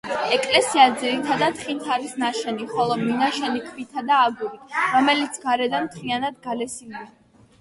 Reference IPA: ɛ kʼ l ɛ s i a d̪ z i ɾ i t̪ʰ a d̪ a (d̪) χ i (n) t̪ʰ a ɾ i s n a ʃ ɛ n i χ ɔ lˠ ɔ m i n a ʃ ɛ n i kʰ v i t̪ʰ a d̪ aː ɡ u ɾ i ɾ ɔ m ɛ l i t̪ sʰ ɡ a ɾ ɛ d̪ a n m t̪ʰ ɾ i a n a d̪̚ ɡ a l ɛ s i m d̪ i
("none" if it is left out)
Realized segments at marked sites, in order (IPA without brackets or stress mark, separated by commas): t̪, n